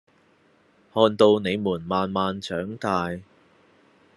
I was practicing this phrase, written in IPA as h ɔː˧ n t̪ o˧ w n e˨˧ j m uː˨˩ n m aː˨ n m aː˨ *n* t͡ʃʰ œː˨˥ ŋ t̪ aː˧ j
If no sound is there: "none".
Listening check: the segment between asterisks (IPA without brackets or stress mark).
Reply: n